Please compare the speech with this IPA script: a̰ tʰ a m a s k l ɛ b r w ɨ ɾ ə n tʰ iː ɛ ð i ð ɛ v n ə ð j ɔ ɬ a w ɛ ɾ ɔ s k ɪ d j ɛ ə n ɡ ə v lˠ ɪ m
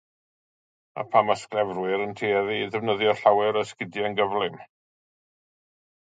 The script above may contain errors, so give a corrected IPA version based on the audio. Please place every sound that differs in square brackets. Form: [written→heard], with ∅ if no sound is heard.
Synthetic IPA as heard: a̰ [tʰ→pʰ] a m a s k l ɛ [b→v] r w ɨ ɾ ə n tʰ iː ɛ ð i ð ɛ v n ə ð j ɔ ɬ a w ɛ ɾ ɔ s k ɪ d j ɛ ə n ɡ ə v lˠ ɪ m